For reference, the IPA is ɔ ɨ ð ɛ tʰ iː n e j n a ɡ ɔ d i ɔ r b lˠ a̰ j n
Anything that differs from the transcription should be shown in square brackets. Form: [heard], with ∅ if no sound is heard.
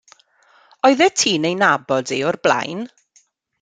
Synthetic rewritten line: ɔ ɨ ð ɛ tʰ iː n e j n a [b] ɔ d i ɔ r b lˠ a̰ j n